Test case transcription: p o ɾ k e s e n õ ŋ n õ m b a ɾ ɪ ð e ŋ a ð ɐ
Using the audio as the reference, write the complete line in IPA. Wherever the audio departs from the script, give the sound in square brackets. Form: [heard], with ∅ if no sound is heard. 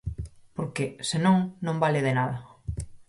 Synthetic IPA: p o ɾ k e s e n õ ŋ n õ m b a [l] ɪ ð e [n] a ð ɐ